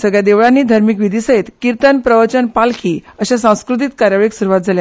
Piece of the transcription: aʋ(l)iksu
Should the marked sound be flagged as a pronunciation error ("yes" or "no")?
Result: yes